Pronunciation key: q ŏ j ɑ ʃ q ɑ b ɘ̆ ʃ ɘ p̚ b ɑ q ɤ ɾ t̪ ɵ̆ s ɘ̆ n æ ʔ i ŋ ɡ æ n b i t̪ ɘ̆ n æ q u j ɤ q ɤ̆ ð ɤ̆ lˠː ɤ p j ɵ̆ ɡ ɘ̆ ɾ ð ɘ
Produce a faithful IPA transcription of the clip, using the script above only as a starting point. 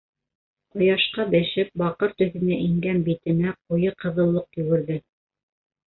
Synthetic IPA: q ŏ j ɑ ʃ q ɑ b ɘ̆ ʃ ɘ p̚ b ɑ q ɤ ɾ t̪ ɵ̆ θ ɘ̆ n æ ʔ i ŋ ɡ æ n b i t̪ ɘ̆ n æ q u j ɤ q ɤ̆ ð ɤ̆ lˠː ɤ q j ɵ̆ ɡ ɘ̆ ɾ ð ɘ